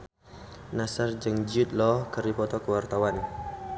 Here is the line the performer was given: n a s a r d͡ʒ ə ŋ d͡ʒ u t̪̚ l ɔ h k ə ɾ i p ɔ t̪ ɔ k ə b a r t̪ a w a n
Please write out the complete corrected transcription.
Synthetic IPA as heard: n a s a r d͡ʒ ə ŋ d͡ʒ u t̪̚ l ɔ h k ə ɾ i p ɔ t̪ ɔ k ə w a r t̪ a w a n